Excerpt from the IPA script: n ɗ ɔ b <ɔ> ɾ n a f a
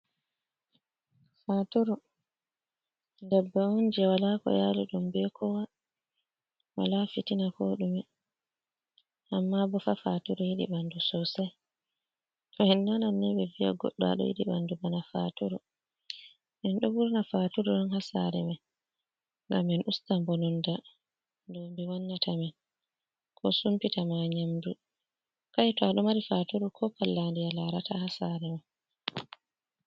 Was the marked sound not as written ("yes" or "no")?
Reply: yes